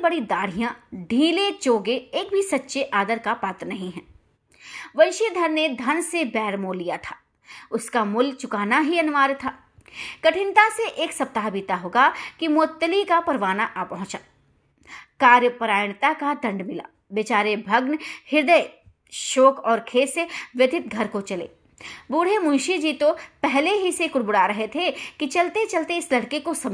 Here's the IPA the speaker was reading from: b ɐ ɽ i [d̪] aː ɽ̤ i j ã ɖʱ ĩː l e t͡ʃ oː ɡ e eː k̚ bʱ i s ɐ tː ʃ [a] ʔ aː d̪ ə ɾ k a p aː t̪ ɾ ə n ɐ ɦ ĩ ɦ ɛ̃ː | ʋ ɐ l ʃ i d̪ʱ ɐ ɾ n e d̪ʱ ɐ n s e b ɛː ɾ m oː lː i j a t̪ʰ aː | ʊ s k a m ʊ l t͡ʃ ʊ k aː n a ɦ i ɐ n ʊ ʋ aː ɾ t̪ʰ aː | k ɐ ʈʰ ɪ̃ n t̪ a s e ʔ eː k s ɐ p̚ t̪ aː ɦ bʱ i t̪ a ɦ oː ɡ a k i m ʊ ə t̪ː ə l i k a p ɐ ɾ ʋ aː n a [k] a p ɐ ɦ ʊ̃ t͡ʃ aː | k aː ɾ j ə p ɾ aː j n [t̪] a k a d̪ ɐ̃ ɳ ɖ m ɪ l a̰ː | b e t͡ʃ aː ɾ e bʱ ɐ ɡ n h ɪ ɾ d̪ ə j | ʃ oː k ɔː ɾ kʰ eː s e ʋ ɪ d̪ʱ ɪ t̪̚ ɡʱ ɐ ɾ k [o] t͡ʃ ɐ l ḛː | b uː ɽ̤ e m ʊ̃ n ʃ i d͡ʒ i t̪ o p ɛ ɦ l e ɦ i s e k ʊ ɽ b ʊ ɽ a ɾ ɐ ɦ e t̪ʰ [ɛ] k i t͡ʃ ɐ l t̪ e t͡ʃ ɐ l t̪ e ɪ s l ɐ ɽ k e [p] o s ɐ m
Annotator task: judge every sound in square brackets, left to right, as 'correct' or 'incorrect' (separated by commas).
correct, incorrect, incorrect, correct, correct, incorrect, incorrect